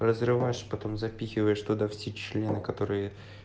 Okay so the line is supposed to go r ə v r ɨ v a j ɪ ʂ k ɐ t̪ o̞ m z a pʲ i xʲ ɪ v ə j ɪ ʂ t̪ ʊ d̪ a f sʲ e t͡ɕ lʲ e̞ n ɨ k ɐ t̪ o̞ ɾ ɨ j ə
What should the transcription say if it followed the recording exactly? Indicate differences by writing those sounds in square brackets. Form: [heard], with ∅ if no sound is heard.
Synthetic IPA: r ə [z] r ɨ v a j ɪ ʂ [p] ɐ t̪ o̞ m z [ɐ] pʲ i xʲ ɪ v ə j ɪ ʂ t̪ ʊ d̪ a f sʲ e t͡ɕ lʲ e̞ n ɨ k ɐ t̪ o̞ ɾ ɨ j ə